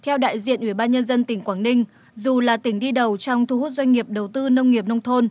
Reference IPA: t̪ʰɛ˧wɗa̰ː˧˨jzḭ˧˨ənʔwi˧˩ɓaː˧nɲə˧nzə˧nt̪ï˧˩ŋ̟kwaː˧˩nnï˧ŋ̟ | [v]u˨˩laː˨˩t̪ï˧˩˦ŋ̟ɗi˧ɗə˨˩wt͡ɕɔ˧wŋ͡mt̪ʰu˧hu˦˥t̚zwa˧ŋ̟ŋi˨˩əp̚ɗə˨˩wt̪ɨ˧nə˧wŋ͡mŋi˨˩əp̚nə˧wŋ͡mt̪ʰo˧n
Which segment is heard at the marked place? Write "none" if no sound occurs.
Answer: z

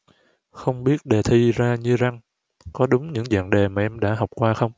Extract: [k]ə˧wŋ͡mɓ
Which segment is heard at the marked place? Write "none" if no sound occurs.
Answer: x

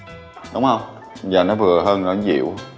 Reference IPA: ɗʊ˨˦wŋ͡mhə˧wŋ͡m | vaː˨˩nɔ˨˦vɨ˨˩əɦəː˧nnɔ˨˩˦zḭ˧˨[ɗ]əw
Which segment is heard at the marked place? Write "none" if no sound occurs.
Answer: none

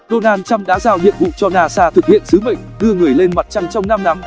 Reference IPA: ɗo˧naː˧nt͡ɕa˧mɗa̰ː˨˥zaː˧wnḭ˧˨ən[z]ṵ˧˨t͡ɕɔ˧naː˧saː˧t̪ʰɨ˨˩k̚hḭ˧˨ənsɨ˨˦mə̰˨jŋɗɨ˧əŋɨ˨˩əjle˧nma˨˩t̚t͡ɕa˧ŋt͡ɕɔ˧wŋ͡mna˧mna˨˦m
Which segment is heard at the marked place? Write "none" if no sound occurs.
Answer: v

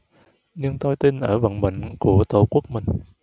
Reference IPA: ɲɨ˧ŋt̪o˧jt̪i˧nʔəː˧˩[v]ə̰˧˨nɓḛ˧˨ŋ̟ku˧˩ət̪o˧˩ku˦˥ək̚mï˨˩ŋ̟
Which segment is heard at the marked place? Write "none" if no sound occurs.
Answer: v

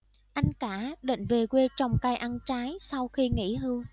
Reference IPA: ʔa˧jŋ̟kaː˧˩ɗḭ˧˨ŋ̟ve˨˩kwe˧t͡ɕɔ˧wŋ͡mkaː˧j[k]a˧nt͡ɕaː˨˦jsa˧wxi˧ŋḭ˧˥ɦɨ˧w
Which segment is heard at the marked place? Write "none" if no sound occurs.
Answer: ʔ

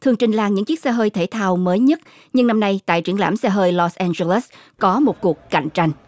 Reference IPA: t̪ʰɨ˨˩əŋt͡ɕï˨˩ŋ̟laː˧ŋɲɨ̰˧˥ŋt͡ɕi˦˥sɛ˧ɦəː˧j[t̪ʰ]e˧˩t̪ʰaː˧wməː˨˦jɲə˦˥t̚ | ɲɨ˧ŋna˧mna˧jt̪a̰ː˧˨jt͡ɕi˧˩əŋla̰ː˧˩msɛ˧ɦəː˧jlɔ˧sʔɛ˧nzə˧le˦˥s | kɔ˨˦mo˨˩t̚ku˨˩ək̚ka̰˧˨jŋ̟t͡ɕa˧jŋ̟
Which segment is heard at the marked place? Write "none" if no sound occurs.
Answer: t̪ʰ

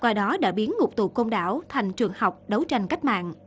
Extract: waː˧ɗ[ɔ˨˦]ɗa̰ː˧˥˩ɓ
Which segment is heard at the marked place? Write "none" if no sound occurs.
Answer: ɔ˨˦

